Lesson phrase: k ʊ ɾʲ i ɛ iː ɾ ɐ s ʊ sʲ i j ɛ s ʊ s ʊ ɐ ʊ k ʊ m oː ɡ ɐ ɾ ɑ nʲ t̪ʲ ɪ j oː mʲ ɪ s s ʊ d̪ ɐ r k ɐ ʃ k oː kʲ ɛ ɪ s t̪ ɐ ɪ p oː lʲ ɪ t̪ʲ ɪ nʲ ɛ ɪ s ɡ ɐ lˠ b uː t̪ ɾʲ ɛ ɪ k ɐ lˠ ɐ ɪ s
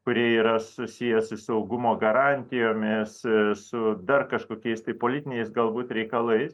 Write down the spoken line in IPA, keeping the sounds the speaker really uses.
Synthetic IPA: k ʊ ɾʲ i ɛ iː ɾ ɐ s ʊ sʲ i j ɛ s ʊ s ʊ ɐ ʊ ɡ ʊ m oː ɡ ɐ ɾ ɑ nʲ t̪ʲ ɪ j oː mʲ ɪ s s ʊ d̪ ɐ r k ɐ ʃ k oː kʲ ɛ ɪ s t̪ ɐ ɪ p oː lʲ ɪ t̪ʲ ɪ nʲ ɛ ɪ s ɡ ɐ lˠ b uː t̪ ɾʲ ɛ ɪ k ɐ lˠ ɐ ɪ s